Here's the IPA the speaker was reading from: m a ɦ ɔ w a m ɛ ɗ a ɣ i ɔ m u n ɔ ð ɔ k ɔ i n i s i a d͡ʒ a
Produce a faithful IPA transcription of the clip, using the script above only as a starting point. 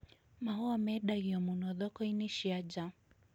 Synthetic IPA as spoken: m a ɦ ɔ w a m ɛ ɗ a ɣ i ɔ m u n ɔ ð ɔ k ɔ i n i ʃ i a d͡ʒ a